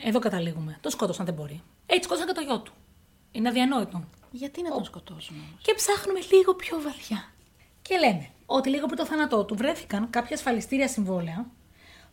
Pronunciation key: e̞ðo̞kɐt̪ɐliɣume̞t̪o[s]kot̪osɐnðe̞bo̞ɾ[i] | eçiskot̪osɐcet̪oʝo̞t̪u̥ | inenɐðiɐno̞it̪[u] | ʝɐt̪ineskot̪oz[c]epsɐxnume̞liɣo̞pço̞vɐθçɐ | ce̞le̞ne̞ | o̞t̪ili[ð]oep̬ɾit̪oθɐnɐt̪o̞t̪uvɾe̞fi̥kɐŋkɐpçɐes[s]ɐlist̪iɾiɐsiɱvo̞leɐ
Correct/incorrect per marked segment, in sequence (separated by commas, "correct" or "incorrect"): correct, correct, incorrect, correct, incorrect, incorrect